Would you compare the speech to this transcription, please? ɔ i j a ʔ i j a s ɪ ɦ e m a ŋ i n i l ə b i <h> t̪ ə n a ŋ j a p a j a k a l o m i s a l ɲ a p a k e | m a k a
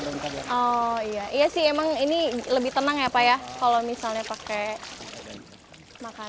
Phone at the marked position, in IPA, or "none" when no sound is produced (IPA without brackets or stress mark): h